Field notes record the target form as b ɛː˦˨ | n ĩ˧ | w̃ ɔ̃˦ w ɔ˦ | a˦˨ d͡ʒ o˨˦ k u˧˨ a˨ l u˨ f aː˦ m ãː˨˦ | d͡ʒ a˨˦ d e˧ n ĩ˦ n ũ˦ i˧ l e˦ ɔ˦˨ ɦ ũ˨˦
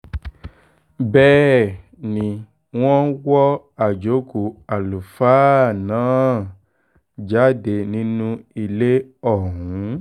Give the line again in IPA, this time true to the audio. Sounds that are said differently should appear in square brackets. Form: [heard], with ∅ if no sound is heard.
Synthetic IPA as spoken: b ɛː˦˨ | n ĩ˧ | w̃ ɔ̃˦ w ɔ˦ | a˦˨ d͡ʒ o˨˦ k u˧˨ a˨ l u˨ f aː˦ [n] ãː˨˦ | d͡ʒ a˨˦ d e˧ n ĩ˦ n ũ˦ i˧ l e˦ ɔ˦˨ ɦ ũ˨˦